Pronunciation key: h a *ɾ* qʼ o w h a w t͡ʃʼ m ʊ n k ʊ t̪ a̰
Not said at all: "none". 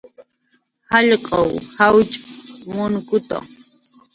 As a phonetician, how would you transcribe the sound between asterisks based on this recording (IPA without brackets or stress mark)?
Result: ʎ